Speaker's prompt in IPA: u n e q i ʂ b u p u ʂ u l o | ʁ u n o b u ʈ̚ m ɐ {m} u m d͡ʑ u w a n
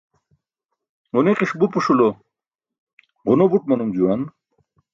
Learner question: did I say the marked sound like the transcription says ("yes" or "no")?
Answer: no